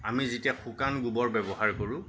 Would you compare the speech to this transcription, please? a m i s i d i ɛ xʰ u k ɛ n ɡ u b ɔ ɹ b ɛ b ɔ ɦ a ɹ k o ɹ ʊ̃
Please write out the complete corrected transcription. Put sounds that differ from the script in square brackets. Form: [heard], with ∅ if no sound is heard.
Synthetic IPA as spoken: a m i [z] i [t] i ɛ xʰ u k [a] n ɡ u b ɔ ɹ b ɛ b ɔ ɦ a ɹ k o ɹ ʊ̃